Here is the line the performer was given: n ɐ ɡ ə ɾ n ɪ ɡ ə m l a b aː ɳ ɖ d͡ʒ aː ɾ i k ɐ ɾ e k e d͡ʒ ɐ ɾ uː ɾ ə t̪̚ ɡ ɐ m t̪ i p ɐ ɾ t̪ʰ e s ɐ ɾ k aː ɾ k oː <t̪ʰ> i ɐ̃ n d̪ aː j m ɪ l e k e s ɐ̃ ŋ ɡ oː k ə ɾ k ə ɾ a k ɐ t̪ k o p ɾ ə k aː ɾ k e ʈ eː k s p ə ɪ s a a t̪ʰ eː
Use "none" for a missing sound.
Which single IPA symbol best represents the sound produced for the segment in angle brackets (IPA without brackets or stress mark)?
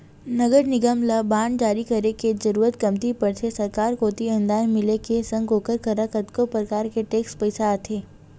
t̪